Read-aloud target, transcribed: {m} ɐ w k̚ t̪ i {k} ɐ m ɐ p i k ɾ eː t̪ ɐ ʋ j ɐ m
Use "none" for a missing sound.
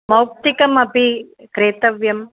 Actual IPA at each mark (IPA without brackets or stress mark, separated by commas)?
m, k